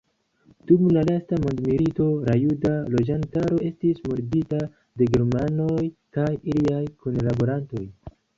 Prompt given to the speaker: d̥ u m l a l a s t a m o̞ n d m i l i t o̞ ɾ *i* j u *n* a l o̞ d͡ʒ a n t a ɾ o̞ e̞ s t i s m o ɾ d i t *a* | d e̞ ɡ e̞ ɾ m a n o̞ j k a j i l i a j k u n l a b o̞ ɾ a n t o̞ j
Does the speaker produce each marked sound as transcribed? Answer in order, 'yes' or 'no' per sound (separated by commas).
no, no, yes